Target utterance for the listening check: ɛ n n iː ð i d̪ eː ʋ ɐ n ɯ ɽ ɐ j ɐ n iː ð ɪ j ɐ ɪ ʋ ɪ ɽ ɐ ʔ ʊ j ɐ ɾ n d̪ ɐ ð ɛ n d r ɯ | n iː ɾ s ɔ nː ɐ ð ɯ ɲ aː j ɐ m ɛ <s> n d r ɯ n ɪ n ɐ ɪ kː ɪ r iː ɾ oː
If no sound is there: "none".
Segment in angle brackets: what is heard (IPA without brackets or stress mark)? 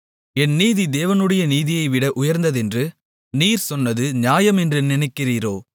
none